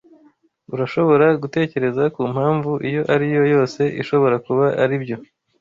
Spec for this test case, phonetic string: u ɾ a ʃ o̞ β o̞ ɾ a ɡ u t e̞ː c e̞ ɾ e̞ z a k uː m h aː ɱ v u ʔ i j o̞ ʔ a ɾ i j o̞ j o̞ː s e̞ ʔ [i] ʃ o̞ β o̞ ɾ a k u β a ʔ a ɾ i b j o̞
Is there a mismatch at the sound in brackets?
no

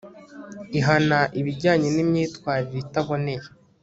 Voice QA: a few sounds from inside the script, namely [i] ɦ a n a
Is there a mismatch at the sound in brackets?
no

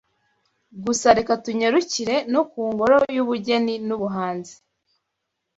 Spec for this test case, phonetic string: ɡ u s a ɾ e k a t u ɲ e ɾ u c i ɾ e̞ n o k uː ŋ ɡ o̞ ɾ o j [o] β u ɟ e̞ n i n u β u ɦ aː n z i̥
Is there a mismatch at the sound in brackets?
yes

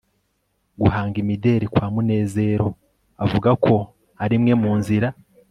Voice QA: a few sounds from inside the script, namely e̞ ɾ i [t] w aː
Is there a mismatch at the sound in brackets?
yes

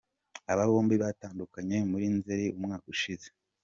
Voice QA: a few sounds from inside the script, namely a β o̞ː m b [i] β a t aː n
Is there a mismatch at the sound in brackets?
no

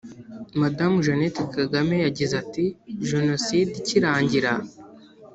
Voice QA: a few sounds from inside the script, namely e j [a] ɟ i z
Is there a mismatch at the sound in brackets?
no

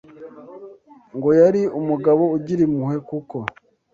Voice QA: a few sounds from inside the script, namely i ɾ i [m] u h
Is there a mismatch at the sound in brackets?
no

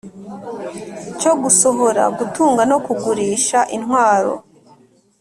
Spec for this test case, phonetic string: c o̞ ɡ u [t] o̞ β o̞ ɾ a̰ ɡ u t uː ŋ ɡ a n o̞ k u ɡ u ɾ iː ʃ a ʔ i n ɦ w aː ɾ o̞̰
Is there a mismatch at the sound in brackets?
yes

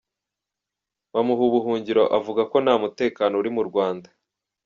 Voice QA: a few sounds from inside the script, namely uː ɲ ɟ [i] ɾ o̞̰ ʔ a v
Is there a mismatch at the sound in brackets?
no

